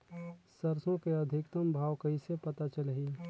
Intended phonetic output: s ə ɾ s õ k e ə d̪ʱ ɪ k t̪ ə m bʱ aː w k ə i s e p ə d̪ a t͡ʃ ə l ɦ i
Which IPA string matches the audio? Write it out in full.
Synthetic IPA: s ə ɾ s õ k e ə d̪ʱ ɪ k t̪ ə m bʱ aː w k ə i s e p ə t̪ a t͡ʃ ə l ɦ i